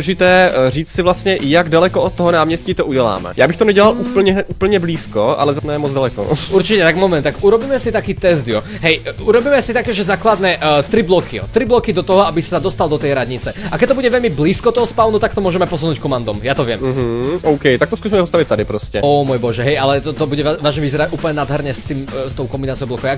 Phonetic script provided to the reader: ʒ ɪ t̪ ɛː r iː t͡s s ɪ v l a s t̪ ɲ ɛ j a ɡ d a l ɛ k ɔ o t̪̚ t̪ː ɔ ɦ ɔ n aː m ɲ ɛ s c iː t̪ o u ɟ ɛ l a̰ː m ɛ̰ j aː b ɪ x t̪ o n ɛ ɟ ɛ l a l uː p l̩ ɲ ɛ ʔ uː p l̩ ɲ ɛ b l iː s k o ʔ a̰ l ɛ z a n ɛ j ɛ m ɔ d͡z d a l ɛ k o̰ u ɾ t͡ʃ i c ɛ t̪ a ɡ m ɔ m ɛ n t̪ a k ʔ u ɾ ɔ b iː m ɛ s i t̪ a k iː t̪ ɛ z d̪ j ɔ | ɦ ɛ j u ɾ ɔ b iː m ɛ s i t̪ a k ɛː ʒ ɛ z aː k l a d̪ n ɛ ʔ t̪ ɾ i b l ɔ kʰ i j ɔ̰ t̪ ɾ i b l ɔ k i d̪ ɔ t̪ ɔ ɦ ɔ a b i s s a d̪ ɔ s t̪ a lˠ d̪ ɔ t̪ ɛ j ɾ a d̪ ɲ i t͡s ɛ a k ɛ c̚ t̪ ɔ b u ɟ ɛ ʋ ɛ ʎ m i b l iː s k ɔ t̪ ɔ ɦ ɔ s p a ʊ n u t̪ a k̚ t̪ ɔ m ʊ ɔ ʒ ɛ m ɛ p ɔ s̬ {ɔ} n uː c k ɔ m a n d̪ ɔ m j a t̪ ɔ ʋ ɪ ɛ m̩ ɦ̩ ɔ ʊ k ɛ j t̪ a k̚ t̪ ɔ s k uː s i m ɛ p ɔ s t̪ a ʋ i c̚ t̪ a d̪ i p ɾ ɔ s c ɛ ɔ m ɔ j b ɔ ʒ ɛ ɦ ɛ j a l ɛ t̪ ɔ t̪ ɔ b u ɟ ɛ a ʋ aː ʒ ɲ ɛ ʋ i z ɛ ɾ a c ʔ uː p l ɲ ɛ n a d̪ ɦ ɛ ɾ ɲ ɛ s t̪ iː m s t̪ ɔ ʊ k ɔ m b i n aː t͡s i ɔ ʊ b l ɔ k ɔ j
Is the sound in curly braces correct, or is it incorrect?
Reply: incorrect: u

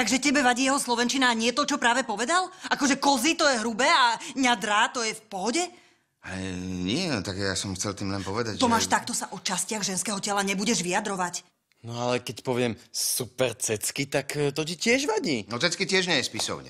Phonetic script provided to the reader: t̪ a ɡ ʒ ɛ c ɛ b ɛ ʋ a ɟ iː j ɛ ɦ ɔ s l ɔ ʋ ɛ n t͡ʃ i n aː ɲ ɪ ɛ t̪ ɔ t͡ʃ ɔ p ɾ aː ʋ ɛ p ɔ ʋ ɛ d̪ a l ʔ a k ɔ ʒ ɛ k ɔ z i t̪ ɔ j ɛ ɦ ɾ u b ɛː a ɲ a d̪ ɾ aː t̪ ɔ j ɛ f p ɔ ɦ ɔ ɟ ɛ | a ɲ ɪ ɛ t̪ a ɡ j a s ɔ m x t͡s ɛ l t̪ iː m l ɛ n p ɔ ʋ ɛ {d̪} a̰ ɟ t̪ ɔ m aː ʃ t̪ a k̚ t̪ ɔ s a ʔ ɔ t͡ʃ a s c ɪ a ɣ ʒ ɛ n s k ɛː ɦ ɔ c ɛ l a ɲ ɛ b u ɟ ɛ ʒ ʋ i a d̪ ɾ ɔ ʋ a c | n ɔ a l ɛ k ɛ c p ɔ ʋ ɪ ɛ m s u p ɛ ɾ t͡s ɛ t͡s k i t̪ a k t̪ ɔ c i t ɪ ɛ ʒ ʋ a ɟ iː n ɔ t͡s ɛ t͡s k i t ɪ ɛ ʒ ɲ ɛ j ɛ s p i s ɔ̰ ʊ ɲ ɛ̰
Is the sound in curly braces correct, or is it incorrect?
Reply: correct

